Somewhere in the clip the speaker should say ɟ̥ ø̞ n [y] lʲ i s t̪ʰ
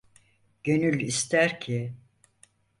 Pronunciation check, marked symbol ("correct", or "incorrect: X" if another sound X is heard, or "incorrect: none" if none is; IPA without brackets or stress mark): correct